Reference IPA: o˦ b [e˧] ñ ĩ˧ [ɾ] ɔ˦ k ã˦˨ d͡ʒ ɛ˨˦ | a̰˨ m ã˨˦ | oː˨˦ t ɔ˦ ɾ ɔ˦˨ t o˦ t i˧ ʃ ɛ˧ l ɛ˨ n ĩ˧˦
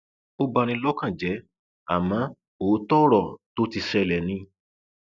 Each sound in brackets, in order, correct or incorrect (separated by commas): incorrect, incorrect